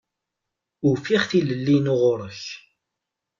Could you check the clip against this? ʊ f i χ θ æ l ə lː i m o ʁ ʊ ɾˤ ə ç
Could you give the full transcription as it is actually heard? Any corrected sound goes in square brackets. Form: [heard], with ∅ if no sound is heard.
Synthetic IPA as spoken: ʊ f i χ θ [i] l ə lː i [n] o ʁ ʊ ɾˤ ə ç